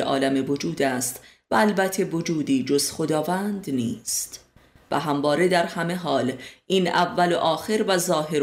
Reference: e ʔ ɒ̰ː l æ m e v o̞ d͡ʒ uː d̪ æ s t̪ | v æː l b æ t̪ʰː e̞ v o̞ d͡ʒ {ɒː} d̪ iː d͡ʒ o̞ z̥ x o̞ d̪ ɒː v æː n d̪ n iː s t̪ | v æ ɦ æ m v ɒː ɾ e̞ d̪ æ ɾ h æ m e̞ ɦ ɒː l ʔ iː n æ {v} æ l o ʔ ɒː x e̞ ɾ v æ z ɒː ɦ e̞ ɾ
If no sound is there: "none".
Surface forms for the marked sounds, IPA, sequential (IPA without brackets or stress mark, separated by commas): uː, vː